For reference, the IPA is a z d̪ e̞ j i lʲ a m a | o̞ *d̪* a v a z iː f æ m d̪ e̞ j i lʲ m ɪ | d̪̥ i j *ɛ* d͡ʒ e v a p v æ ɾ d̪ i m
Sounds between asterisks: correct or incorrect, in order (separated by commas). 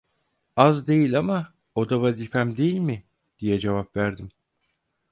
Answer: correct, correct